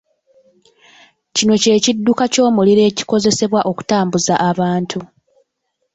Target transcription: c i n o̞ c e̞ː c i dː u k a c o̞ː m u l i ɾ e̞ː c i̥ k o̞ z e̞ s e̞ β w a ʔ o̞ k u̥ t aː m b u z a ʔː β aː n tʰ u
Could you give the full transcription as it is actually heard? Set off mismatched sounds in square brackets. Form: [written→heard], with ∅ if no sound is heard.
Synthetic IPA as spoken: c i n o̞ c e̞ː c i dː u k a c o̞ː m u l i ɾ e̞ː c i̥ k o̞ z e̞ s e̞ β w a ʔ o̞ k u̥ t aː m b u z a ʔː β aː n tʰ u